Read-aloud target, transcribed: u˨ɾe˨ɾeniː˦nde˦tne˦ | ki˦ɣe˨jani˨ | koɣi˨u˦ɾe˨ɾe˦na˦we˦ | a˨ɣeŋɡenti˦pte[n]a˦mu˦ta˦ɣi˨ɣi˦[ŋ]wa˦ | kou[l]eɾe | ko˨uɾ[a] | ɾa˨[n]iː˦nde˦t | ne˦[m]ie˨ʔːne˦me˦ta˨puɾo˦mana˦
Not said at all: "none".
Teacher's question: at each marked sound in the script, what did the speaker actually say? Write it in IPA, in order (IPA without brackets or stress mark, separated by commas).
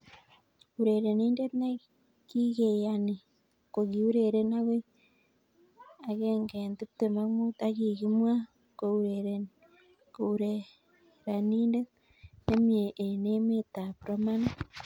m, m, ɾ, e, n, m